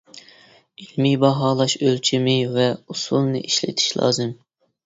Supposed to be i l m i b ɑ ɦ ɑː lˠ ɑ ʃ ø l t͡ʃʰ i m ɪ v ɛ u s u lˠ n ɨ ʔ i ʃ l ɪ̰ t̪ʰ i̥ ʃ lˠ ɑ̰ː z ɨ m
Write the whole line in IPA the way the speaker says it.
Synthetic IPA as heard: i l m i b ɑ ɦ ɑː lˠ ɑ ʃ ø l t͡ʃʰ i m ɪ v ɛ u s u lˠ n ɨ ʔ i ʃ l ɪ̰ t̪ʰ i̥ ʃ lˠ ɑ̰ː z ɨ m

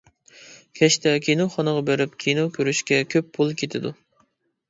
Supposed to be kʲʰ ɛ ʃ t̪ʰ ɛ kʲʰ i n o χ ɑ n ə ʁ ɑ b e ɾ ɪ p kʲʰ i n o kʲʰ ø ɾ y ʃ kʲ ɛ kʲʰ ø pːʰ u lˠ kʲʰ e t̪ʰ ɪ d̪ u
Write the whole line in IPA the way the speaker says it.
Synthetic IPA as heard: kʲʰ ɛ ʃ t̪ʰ ɛ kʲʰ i n o χ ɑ n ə ʁ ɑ b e ɾ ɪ p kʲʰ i n o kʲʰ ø ɾ y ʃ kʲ ɛ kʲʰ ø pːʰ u lˠ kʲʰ e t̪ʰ ɪ d̪ u

